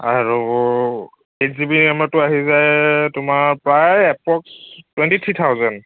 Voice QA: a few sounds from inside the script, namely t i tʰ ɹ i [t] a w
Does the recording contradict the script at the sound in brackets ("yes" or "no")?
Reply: yes